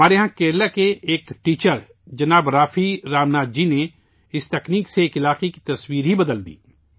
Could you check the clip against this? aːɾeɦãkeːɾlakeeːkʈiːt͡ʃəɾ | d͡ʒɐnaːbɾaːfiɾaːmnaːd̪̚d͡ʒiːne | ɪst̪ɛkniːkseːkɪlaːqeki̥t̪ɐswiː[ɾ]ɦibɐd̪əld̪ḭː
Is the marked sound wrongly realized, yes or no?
no